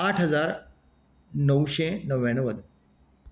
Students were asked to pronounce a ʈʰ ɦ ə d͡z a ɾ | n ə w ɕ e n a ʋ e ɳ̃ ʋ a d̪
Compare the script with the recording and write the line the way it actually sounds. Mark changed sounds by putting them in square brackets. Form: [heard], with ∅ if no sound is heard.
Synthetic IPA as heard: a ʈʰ ɦ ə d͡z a ɾ | n ə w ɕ e n [ə] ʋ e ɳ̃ ʋ [ə] d̪